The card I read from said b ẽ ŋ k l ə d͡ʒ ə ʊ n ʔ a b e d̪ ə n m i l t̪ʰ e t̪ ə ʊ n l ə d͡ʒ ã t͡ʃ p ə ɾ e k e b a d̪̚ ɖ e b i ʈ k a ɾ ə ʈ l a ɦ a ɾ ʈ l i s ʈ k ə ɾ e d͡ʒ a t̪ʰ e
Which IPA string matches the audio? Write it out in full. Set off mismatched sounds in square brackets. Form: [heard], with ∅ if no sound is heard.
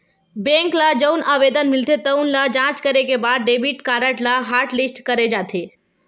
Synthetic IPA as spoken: b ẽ ŋ k l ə d͡ʒ ə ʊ n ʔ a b e d̪ ə n m i l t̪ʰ e t̪ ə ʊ n l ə d͡ʒ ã t͡ʃ [k] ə ɾ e k e b a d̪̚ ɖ e b i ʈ k a ɾ ə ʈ l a ɦ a ɾ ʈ l i s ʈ k ə ɾ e d͡ʒ a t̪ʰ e